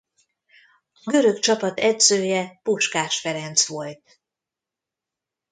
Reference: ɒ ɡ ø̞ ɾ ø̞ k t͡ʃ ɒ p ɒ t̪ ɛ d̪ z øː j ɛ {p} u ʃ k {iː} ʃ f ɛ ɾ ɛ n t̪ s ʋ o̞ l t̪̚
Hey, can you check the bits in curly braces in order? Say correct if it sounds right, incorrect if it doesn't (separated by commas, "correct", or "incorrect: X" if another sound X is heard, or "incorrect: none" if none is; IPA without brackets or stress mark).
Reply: correct, incorrect: aː